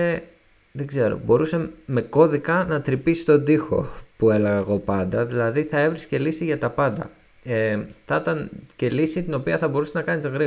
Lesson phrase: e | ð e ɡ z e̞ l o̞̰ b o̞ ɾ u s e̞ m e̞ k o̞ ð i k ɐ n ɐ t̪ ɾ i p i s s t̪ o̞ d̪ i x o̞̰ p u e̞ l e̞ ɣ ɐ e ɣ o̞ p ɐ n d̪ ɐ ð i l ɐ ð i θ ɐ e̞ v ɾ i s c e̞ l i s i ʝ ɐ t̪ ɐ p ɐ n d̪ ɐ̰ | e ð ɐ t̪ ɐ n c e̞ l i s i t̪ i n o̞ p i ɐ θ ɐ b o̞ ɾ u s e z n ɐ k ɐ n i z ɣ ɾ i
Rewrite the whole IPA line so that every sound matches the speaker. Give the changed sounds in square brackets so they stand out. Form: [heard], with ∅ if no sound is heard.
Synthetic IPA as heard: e | ð e ɡ z e̞ [ɾ] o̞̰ b o̞ ɾ u s e̞ m e̞ k o̞ ð i k ɐ n ɐ t̪ ɾ i p i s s t̪ o̞ d̪ i x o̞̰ p u e̞ l e̞ ɣ ɐ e ɣ o̞ p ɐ n d̪ ɐ ð i l ɐ ð i θ ɐ e̞ v ɾ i s c e̞ l i s i ʝ ɐ t̪ ɐ p ɐ n d̪ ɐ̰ | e [θ] ɐ t̪ ɐ n c e̞ l i s i t̪ i n o̞ p i ɐ θ ɐ b o̞ ɾ u s e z n ɐ k ɐ n i z ɣ ɾ i